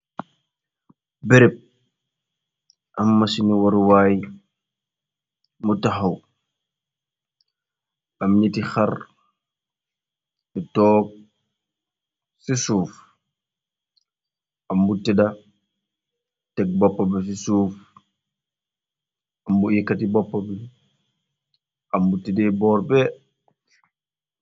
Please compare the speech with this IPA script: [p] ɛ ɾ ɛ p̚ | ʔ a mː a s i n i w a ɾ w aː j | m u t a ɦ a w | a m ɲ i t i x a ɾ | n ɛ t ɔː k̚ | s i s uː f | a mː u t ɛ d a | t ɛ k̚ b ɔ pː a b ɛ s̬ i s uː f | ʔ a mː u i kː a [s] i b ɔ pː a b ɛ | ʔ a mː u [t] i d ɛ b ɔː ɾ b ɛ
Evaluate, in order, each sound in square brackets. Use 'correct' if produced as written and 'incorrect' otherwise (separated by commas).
incorrect, incorrect, correct